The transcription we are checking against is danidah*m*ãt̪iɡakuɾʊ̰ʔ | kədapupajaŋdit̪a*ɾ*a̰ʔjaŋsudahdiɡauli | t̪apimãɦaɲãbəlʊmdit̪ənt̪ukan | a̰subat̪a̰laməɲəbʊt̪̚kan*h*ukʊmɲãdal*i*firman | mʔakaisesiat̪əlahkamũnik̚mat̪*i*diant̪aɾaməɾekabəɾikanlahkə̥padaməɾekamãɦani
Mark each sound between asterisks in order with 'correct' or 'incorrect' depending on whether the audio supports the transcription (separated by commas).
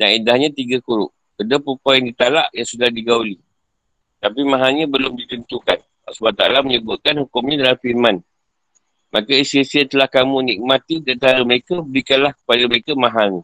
incorrect, incorrect, correct, incorrect, correct